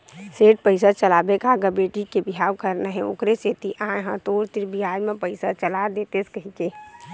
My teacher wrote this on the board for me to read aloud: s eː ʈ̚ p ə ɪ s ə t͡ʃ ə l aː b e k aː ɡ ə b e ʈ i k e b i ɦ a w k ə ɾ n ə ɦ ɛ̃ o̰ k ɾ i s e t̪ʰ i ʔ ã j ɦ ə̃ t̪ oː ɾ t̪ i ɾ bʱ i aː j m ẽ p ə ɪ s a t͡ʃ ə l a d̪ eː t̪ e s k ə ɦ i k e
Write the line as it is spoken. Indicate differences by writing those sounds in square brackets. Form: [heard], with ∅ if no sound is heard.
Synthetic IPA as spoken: s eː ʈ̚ p ə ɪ s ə t͡ʃ ə l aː b e k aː ɡ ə b e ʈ i k e b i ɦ a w k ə ɾ n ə ɦ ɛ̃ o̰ k ɾ [e] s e [t̪] i ʔ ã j ɦ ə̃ t̪ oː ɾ t̪ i ɾ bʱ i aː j m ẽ p ə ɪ s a t͡ʃ ə l a d̪ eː t̪ e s k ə ɦ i k e